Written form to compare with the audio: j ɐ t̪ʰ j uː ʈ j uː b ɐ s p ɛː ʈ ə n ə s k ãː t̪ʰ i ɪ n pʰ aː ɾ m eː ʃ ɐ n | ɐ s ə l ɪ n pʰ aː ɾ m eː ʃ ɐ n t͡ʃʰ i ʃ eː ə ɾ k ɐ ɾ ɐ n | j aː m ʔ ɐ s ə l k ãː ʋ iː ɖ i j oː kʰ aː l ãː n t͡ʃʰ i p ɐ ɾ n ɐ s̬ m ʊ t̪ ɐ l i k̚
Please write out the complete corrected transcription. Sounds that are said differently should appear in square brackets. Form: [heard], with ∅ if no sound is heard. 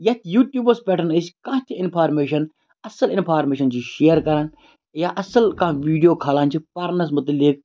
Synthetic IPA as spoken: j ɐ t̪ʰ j uː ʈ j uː b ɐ s p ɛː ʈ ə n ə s k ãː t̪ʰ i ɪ n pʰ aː ɾ m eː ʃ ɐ n | ɐ s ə l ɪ n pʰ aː ɾ m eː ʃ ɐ n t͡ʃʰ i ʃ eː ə ɾ k ɐ ɾ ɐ n | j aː [∅] ʔ ɐ s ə l k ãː ʋ iː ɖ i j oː kʰ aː l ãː n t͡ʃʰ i p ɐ ɾ n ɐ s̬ m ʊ t̪ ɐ l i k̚